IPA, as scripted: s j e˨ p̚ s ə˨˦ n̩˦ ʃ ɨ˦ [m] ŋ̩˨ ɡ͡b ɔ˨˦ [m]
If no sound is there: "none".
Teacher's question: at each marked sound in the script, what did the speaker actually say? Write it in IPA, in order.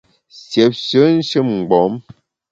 m, m

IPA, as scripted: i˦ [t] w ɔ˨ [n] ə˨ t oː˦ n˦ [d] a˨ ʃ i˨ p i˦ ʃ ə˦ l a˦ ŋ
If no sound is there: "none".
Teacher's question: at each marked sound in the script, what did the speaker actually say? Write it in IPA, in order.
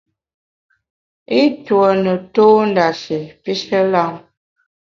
t, n, d

